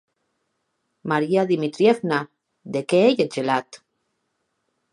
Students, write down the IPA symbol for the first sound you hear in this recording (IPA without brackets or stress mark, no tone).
m